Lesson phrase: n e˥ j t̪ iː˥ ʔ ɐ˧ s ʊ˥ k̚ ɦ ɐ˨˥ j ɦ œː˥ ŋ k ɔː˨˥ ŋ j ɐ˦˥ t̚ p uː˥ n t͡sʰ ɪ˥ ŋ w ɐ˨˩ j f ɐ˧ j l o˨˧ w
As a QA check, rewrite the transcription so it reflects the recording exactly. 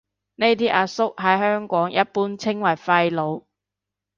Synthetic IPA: n e˥ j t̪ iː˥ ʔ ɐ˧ s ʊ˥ k̚ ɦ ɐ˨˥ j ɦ œː˥ ŋ k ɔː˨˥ ŋ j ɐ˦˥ t̚ p uː˥ n t͡sʰ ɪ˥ ŋ w ɐ˨˩ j f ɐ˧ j l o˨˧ w